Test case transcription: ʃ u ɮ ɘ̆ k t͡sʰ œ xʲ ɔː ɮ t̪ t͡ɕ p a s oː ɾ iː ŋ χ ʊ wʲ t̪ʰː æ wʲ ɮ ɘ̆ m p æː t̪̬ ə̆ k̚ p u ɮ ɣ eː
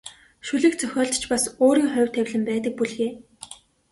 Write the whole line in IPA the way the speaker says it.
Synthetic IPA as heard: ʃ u ɮ ɘ̆ k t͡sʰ œ xʲ ɔː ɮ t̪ t͡ɕ p a s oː ɾ iː ŋ χ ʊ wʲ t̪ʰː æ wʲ ɮ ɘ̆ m p æː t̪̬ ə̆ k̚ p u ɮ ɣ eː